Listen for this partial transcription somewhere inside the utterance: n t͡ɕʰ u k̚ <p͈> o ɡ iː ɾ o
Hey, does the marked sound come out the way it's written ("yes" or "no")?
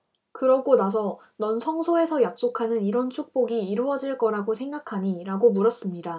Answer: yes